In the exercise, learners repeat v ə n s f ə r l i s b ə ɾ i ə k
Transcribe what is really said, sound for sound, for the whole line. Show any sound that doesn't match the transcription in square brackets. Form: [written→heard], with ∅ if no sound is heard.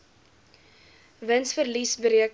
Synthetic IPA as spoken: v ə n s f ə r l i s b ə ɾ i ə k